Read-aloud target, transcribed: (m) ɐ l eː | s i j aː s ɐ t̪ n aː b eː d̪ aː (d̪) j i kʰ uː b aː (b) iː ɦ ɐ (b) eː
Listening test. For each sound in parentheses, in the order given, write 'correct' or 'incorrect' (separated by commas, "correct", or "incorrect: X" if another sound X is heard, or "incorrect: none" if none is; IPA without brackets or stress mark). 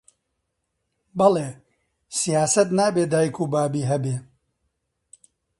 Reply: incorrect: b, incorrect: none, correct, correct